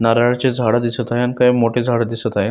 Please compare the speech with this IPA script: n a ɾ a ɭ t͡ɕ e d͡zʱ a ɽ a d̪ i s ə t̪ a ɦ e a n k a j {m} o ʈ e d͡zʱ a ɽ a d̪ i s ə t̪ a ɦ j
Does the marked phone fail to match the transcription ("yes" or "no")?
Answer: no